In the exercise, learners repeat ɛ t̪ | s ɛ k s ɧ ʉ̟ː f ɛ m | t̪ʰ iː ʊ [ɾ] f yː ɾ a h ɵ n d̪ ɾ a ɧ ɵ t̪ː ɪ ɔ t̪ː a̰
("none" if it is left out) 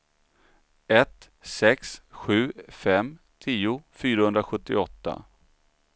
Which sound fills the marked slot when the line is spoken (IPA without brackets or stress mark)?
none